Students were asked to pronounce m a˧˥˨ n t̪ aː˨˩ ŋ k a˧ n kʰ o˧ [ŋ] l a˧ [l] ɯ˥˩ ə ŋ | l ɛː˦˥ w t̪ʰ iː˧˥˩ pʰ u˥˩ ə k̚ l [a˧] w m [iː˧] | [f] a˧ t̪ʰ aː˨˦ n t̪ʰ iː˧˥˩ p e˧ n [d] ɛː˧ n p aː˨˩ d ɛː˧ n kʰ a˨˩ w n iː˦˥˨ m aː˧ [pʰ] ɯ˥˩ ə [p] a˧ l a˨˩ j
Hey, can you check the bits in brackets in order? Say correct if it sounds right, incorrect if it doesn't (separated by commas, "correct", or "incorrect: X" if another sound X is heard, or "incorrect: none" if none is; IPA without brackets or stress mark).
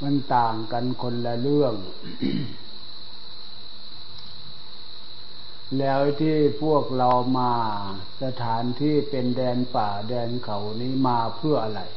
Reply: incorrect: n, correct, correct, incorrect: aː˧, incorrect: s, correct, correct, incorrect: ʔ